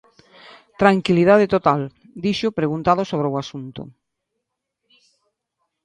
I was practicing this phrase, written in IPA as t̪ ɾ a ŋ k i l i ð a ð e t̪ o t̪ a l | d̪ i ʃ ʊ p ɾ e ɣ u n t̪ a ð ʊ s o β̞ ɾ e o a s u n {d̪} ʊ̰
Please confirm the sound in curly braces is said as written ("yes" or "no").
no